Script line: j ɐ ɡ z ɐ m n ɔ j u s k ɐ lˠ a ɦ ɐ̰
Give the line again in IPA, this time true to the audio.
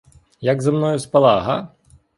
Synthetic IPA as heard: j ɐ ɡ z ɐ m n ɔ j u s p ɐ lˠ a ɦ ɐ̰